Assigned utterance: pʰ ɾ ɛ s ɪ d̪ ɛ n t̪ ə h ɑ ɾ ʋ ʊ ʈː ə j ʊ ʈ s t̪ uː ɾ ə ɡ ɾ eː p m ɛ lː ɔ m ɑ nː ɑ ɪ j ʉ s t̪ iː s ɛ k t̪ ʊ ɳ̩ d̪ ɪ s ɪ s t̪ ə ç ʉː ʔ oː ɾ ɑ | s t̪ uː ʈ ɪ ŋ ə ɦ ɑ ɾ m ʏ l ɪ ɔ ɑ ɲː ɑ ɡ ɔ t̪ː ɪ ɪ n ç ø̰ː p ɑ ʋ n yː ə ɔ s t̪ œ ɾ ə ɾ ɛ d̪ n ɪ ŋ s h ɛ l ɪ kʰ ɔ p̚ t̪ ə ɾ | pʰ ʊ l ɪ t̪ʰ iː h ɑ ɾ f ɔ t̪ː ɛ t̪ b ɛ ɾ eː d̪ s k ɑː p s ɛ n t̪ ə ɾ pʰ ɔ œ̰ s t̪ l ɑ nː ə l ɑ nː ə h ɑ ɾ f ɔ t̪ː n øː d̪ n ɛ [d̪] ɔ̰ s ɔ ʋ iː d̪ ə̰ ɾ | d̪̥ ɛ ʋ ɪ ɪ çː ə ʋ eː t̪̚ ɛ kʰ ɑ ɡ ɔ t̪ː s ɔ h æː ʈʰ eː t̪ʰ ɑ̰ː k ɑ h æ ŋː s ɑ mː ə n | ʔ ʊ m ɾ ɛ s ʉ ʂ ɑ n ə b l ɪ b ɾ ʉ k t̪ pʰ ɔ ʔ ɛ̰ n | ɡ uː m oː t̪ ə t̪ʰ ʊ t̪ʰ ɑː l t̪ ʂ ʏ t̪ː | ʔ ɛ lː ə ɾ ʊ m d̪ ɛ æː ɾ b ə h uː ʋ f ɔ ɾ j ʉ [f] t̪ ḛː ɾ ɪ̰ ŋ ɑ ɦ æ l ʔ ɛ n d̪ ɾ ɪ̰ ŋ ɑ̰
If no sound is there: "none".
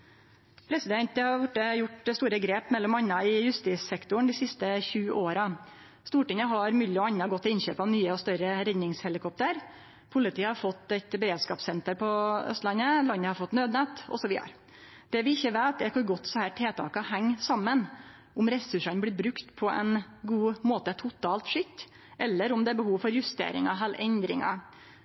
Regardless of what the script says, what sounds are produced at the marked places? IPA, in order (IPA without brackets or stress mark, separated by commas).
t̪, s